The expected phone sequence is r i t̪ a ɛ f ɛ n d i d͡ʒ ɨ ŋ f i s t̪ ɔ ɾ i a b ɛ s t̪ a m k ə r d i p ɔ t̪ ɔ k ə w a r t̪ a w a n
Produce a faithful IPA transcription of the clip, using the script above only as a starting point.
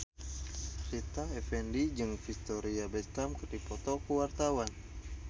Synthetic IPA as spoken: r i t̪ a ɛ f ɛ n d i d͡ʒ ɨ ŋ f i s t̪ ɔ ɾ i a b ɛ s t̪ a m k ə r d i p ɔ t̪ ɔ k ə w a r t̪ a w a n